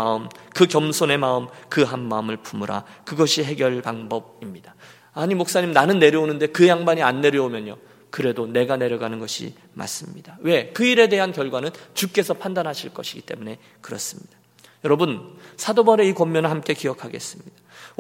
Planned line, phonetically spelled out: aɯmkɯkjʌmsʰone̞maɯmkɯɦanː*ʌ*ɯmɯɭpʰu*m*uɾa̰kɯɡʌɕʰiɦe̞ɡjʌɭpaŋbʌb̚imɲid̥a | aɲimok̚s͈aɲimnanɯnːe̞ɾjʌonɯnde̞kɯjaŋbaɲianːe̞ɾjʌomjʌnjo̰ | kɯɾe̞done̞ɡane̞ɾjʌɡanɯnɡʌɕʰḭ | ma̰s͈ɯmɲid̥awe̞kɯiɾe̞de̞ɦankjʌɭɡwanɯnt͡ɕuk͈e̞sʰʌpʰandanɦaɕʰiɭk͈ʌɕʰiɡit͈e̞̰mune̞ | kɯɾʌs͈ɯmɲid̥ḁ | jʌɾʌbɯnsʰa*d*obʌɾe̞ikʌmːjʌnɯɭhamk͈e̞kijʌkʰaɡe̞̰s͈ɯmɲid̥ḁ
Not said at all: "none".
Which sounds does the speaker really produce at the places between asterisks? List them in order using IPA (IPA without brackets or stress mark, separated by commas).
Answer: a, m, d